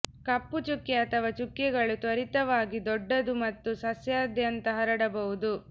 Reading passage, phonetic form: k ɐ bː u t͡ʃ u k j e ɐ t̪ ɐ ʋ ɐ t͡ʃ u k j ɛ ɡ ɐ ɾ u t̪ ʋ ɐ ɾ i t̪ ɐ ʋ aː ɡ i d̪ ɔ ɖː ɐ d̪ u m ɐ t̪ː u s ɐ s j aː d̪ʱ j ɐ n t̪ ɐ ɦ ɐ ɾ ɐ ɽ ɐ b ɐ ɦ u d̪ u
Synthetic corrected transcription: k ɐ pː u t͡ʃ u k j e ɐ t̪ ɐ ʋ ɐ t͡ʃ u k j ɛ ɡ ɐ ɭ u t̪ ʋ ɐ ɾ i t̪ ɐ ʋ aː ɡ i d̪ ɔ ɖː ɐ d̪ u m ɐ t̪ː u s ɐ s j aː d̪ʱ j ɐ n t̪ ɐ ɦ ɐ ɾ ɐ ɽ ɐ b ɐ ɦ u d̪ u